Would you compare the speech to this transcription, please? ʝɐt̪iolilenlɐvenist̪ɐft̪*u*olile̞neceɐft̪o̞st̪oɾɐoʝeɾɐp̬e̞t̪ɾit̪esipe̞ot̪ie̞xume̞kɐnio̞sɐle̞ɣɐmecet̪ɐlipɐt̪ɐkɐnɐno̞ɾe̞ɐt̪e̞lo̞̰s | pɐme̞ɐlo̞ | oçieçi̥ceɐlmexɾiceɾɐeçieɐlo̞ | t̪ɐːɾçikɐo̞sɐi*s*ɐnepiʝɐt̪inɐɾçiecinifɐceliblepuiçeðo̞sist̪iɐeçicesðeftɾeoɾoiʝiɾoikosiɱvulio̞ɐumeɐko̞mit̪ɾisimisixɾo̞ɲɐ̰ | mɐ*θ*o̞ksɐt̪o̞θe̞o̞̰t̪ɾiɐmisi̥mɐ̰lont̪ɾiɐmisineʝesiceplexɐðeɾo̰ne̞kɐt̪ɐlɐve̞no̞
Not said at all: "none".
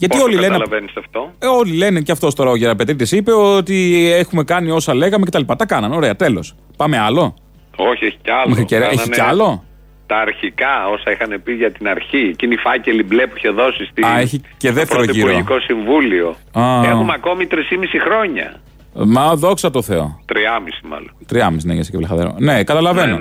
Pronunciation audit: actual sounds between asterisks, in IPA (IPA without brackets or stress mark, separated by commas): o, x, ð